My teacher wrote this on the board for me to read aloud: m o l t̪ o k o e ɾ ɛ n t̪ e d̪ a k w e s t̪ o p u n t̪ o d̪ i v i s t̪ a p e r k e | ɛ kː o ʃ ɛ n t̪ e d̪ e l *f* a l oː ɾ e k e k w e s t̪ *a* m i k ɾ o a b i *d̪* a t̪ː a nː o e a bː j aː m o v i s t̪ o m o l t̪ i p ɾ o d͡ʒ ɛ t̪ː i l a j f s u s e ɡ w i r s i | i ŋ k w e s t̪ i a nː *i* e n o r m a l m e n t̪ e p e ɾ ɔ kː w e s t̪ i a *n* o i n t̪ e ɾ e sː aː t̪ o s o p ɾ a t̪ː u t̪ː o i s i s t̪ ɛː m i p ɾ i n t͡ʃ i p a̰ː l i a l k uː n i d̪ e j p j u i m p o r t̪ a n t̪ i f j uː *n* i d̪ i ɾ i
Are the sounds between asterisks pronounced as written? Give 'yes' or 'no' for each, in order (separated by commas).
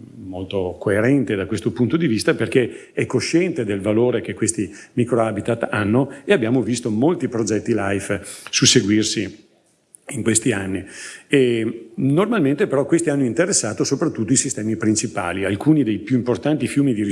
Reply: no, no, no, yes, no, no